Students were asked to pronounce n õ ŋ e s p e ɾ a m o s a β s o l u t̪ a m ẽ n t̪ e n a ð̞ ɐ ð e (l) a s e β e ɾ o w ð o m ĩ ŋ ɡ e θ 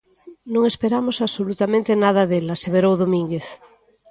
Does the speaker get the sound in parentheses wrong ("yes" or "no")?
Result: no